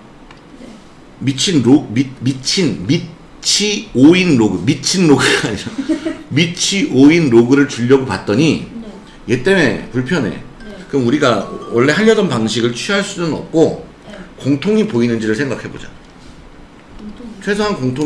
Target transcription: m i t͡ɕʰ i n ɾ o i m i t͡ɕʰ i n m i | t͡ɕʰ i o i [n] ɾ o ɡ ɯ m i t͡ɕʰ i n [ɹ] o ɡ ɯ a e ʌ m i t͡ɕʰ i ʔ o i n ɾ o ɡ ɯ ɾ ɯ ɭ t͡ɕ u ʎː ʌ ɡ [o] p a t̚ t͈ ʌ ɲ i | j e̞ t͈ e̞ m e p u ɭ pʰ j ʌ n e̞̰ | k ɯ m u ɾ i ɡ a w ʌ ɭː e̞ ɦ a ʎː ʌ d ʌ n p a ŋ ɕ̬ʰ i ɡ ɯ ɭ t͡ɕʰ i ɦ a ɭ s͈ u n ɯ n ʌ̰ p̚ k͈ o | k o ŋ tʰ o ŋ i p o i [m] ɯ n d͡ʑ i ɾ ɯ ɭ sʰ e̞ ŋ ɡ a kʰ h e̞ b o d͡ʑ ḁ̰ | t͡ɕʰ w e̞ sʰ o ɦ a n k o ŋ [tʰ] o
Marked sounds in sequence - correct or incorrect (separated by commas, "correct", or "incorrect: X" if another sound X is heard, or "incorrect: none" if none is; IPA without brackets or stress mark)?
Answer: correct, incorrect: ɾ, correct, incorrect: n, correct